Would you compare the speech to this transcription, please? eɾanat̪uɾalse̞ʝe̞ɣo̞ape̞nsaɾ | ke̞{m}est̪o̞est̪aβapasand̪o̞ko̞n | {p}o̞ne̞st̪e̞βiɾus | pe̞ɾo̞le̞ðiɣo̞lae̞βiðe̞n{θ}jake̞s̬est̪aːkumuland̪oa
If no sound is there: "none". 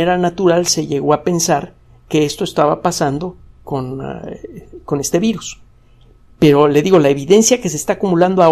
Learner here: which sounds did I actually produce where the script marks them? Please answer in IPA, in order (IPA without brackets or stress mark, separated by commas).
none, k, s